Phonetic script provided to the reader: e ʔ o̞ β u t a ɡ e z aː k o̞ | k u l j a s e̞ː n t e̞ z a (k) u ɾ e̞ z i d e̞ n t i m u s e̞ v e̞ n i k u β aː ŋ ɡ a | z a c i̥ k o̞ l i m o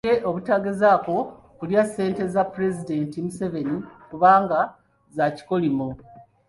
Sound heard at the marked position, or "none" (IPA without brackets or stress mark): p